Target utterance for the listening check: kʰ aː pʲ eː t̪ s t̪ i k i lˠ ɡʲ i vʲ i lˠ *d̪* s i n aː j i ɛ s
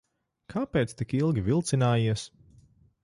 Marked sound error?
yes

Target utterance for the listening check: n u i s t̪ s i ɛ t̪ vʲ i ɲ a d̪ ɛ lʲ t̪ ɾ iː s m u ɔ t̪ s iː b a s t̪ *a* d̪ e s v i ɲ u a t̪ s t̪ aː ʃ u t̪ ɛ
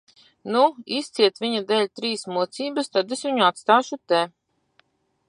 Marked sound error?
no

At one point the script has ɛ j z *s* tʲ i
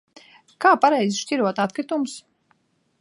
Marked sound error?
yes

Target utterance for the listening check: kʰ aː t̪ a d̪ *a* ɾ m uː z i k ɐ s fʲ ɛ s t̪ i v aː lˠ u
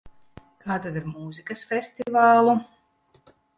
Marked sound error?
yes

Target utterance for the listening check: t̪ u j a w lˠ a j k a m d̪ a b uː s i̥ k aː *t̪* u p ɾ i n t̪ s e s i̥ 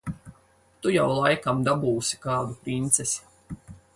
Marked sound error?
yes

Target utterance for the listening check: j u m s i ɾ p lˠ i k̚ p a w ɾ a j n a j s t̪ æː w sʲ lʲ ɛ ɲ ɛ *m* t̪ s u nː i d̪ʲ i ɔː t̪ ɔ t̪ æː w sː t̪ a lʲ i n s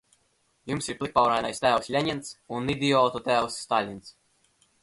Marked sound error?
yes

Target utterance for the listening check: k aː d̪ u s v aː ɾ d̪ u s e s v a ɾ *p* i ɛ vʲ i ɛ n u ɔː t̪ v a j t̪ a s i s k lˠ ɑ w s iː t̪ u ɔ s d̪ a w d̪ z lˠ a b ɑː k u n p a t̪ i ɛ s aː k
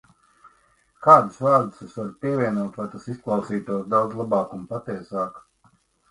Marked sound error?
no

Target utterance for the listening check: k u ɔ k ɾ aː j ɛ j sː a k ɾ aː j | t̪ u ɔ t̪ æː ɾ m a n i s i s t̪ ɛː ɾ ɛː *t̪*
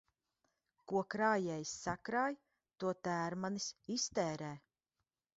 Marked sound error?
yes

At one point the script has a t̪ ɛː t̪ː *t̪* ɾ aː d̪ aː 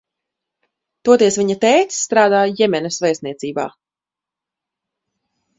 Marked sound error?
no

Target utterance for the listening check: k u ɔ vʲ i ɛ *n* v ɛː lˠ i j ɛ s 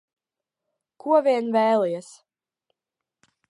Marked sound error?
no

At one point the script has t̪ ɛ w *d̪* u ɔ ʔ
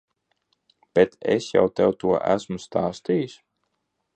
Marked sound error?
yes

